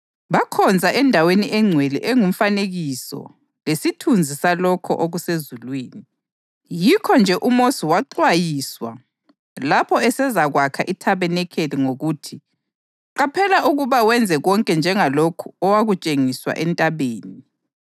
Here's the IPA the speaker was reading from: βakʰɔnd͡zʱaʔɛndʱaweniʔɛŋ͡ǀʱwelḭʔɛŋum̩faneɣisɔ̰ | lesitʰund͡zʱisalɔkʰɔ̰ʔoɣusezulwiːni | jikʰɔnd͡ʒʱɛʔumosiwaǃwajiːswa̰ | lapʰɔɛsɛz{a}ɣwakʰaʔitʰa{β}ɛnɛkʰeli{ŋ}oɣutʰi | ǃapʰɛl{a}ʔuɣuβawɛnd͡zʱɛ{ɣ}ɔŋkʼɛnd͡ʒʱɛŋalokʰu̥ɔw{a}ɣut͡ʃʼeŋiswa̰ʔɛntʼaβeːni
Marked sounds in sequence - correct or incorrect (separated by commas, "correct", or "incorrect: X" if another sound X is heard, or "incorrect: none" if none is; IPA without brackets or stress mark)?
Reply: correct, correct, correct, correct, correct, correct